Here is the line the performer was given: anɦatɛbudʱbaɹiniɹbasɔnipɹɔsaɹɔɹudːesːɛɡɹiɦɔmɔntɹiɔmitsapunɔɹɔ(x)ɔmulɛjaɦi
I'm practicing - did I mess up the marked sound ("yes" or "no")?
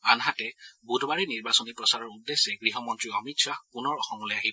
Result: no